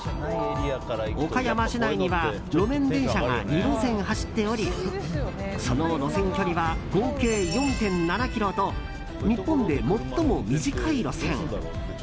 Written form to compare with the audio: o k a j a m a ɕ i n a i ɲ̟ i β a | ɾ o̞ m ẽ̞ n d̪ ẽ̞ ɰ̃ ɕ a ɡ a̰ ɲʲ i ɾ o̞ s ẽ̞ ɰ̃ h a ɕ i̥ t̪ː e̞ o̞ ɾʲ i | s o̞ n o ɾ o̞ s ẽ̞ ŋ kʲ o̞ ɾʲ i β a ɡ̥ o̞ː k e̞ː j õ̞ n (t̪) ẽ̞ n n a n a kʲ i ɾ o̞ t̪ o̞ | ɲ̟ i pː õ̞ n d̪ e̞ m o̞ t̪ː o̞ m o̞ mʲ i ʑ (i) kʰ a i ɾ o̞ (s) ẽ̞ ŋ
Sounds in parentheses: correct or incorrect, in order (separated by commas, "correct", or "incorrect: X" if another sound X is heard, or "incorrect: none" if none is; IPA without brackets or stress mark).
correct, correct, correct